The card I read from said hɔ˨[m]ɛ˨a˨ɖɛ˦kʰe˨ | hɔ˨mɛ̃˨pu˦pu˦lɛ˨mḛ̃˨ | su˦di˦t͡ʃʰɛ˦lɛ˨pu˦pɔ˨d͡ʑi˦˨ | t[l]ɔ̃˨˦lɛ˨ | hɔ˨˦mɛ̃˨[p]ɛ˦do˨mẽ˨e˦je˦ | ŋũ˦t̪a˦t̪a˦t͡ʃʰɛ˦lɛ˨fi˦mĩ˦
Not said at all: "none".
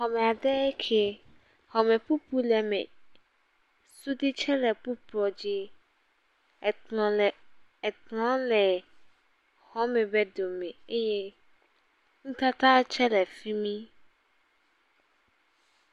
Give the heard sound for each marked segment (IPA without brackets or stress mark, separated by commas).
m, l, b